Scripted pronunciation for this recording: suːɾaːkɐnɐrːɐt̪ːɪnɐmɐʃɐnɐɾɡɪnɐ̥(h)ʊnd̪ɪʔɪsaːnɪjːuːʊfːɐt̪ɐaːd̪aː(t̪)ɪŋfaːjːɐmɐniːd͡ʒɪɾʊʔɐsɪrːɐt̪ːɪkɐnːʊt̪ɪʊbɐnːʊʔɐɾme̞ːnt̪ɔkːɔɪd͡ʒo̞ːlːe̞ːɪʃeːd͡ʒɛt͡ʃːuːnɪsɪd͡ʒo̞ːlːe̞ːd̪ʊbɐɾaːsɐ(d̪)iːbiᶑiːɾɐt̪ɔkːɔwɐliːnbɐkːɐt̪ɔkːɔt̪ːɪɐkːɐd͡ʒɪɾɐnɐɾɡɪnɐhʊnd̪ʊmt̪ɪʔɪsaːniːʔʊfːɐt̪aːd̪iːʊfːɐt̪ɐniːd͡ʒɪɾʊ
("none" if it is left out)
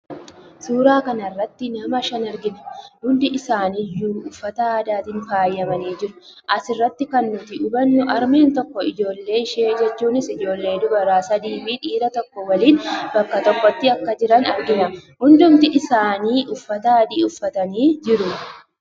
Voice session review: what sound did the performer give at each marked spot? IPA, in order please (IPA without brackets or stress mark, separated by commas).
h, t̪, d̪